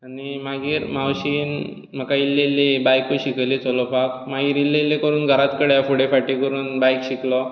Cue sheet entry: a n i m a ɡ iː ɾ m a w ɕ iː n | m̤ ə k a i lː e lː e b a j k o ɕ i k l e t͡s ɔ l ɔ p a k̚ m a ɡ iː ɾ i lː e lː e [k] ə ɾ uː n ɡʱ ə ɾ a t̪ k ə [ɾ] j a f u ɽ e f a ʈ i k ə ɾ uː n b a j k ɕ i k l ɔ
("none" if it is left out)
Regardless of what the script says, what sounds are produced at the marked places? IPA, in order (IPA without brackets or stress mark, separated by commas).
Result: k, ɽ